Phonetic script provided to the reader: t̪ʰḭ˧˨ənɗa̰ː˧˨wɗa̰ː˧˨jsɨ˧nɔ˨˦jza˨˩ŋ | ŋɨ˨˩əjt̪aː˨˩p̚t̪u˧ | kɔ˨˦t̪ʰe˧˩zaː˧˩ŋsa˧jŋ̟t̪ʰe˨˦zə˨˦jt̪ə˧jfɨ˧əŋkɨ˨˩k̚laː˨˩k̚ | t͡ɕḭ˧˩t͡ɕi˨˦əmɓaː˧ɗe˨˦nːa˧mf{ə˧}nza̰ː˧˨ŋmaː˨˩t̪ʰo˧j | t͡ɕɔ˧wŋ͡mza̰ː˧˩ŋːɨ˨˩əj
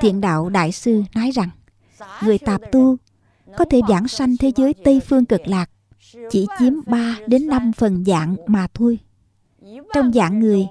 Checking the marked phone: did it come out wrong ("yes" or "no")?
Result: yes